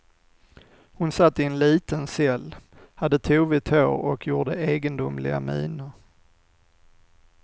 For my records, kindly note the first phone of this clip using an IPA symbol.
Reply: h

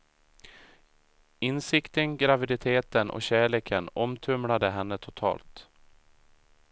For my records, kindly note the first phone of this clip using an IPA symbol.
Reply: ɪ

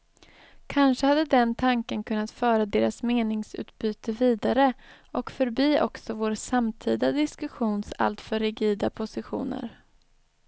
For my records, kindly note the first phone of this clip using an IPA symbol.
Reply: kʰ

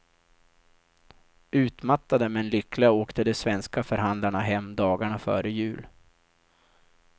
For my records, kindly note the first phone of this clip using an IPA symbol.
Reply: ʉ̟ː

